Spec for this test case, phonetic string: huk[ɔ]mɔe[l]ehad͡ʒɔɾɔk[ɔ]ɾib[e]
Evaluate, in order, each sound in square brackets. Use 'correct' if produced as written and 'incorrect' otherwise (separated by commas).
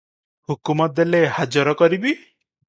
incorrect, correct, correct, incorrect